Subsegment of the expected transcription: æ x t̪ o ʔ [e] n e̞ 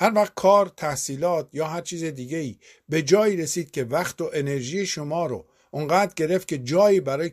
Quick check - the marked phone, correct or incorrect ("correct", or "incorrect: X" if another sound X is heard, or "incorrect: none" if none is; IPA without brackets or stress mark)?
correct